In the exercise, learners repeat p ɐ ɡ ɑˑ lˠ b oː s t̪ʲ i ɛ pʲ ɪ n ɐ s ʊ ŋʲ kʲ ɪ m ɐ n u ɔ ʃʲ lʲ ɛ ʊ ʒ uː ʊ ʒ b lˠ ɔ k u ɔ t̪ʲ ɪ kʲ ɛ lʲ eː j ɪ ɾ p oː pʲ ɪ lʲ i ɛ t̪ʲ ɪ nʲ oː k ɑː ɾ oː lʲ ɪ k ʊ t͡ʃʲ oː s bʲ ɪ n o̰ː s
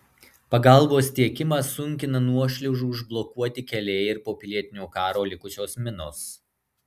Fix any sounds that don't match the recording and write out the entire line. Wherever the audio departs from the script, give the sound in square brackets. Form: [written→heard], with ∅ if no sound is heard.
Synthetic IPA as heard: p ɐ ɡ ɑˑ lˠ b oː s t̪ʲ i ɛ [pʲ→kʲ] ɪ [n→m] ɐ s ʊ ŋʲ kʲ ɪ [m→n] ɐ n u ɔ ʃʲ lʲ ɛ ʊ ʒ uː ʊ ʒ b lˠ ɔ k u ɔ t̪ʲ ɪ kʲ ɛ lʲ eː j ɪ ɾ p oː pʲ ɪ lʲ i ɛ t̪ʲ ɪ nʲ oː k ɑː ɾ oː lʲ ɪ k ʊ t͡ʃʲ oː s [bʲ→mʲ] ɪ n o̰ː s